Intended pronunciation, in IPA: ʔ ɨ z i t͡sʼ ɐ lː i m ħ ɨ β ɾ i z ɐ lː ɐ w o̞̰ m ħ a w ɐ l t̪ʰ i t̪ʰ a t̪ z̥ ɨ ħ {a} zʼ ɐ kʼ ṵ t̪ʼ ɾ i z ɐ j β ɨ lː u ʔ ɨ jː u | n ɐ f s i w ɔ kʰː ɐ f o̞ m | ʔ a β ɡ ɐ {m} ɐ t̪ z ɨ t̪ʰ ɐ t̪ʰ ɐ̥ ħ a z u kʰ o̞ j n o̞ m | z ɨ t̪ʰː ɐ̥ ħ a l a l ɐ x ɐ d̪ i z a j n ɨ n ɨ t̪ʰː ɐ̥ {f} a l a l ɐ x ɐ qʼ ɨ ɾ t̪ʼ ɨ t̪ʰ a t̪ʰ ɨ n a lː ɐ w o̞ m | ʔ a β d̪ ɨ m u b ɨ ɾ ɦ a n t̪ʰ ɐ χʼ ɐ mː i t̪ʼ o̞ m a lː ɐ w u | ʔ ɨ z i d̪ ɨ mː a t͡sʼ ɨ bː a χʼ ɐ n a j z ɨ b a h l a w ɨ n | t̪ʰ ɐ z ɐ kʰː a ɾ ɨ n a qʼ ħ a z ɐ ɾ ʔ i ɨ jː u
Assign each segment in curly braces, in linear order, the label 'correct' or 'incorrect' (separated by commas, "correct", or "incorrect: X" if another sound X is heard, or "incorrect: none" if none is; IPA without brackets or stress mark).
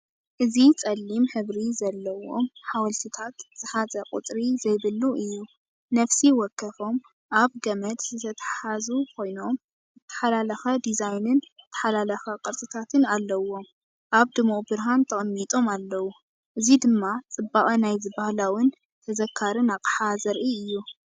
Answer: correct, correct, incorrect: ħ